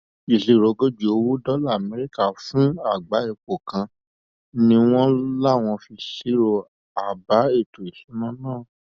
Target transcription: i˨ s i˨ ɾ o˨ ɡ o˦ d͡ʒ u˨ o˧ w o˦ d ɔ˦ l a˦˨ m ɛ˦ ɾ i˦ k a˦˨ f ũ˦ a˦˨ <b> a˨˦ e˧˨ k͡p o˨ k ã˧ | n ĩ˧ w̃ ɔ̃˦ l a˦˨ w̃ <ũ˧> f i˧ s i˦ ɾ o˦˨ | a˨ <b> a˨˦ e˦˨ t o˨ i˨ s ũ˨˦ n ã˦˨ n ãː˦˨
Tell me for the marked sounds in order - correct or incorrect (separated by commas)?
incorrect, incorrect, correct